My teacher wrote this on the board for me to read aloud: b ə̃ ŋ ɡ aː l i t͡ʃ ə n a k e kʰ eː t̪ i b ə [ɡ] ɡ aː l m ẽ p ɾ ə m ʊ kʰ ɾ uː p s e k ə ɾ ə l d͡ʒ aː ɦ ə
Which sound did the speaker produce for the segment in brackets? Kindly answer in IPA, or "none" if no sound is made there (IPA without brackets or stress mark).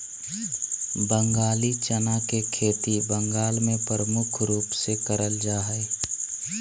ŋ